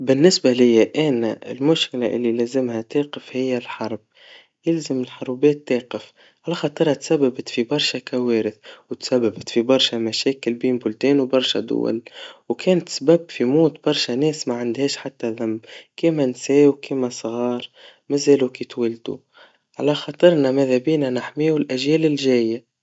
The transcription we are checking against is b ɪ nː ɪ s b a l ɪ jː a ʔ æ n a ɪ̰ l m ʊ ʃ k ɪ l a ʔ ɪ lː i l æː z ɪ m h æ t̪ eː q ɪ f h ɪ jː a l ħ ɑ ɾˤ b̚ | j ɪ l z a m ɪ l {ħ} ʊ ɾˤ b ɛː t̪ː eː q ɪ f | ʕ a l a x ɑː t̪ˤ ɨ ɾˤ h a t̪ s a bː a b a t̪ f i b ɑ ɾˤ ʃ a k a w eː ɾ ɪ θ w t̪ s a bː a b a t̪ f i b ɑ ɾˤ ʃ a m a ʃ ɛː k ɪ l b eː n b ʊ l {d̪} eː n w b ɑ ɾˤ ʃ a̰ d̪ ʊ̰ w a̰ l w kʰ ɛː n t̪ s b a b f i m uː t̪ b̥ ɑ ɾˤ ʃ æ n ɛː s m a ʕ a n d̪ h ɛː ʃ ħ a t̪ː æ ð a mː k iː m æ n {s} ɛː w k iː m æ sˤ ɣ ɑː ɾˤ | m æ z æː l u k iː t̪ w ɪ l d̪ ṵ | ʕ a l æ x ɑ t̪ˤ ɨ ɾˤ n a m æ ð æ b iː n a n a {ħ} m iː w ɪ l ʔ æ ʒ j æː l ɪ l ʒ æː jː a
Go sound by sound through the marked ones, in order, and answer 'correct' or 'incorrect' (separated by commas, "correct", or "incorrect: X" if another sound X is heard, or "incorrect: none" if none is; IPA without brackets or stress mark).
correct, incorrect: t̪, correct, correct